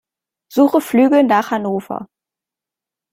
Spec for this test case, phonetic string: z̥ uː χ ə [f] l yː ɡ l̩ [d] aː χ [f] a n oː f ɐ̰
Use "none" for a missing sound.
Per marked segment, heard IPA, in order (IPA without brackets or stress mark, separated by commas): f, n, h